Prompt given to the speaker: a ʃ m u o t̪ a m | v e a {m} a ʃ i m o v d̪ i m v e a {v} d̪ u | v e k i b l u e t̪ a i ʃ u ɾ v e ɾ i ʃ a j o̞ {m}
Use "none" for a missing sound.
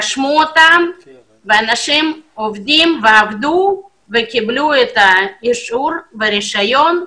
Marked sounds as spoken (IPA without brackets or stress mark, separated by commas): n, v, n